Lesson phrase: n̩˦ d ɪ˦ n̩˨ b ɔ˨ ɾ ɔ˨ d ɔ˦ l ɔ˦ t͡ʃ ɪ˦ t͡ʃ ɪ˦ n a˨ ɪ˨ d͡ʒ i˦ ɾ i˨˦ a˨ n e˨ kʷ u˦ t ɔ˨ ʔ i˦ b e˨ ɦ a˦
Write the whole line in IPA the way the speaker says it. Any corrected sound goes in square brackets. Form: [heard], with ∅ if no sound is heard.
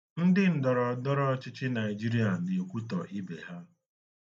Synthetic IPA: n̩˦ d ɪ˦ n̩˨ [d] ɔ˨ ɾ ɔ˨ d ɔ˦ [ɾ] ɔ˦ t͡ʃ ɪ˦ t͡ʃ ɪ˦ n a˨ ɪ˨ d͡ʒ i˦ ɾ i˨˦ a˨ n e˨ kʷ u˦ t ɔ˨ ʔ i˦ b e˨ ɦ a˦

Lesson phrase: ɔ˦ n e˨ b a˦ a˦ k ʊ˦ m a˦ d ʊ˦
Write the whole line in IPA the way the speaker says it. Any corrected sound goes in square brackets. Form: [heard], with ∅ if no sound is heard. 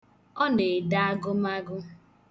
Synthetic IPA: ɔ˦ n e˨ [d] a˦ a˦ [ɡ] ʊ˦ m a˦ [ɡ] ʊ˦

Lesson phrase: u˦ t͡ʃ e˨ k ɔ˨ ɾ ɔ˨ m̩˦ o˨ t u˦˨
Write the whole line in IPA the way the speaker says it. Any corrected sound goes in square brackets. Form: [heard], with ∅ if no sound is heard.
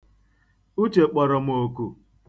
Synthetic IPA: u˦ t͡ʃ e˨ [k͡p] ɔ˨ ɾ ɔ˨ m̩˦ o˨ [k] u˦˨

